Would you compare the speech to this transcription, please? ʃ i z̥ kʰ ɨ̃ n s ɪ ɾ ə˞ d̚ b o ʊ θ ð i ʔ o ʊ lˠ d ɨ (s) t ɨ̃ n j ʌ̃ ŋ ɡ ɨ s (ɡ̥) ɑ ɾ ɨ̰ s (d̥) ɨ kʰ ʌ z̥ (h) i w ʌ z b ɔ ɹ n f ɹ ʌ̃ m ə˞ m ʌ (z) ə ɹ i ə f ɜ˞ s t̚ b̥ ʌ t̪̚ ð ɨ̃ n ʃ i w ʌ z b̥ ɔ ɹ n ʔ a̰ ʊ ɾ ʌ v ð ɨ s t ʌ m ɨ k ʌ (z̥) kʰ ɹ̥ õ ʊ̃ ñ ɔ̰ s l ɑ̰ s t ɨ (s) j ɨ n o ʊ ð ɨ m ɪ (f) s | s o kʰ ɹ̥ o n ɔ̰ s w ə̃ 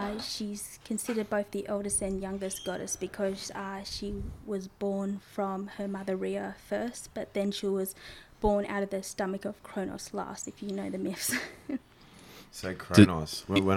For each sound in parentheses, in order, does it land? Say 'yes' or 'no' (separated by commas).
yes, yes, no, no, no, no, no, yes